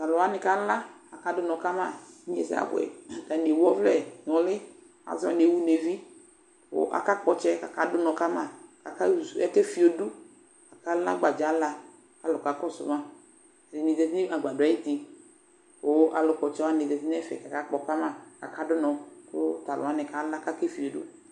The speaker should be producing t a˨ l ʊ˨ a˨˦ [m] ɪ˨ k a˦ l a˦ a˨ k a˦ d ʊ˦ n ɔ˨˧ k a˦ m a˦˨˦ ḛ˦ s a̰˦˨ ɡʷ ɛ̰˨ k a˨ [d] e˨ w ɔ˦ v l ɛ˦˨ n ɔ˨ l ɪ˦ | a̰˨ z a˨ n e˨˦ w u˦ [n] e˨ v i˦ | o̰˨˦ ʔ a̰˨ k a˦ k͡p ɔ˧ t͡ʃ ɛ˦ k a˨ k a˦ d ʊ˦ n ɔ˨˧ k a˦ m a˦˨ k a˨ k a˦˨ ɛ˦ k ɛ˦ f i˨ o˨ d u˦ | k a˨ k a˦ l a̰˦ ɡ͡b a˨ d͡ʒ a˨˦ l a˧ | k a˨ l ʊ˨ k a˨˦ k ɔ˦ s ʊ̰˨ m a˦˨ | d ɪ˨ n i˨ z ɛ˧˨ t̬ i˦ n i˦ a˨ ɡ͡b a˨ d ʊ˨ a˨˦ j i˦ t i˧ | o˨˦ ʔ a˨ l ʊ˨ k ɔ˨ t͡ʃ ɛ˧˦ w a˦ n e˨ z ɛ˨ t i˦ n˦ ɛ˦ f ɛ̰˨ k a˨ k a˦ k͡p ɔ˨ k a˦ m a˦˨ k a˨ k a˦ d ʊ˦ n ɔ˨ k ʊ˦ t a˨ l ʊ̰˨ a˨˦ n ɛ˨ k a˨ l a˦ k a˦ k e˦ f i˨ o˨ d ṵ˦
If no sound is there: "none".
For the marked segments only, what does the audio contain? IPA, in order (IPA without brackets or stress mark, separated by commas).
n, n, n